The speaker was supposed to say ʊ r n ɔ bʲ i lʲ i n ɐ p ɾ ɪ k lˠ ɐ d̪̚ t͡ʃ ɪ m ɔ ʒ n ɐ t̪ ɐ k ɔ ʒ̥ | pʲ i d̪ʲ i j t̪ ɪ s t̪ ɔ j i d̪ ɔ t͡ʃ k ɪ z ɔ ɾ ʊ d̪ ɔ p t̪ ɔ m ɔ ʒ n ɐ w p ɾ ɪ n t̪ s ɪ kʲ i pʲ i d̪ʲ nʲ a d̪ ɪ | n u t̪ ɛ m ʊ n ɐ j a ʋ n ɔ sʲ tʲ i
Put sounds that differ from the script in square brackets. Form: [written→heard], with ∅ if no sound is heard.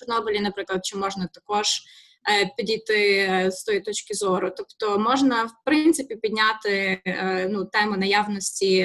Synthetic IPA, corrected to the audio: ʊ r n ɔ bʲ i lʲ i n ɐ p ɾ ɪ k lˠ ɐ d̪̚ t͡ʃ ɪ m ɔ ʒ n ɐ t̪ ɐ k ɔ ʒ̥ | pʲ i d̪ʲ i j t̪ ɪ s t̪ ɔ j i [d̪→t̪] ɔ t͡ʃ k ɪ z ɔ ɾ ʊ [d̪→t̪] ɔ p t̪ ɔ m ɔ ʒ n ɐ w p ɾ ɪ n t̪ s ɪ [kʲ→pʲ] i pʲ i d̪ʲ nʲ a [d̪→t̪] ɪ | n u t̪ ɛ m ʊ n ɐ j a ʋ n ɔ sʲ tʲ i